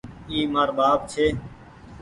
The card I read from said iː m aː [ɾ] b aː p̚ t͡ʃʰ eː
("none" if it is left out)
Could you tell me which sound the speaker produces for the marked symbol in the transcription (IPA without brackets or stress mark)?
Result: ɾ